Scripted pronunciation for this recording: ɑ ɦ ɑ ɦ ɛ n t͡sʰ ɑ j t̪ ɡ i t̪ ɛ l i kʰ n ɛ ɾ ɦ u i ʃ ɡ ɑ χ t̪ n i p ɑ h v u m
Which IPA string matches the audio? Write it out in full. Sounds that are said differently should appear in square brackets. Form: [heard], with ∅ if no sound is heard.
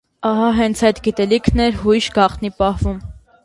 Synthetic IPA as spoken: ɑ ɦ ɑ ɦ ɛ n t͡sʰ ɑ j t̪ ɡ i t̪ ɛ l i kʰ n ɛ ɾ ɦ u [j] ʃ ɡ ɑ χ t̪ n i p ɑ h v u m